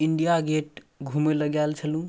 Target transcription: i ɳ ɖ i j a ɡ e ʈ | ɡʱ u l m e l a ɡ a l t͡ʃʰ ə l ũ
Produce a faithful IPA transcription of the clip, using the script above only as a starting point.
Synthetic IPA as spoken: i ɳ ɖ i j a ɡ e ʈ | ɡʱ u m e l ə ɡ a l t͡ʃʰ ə l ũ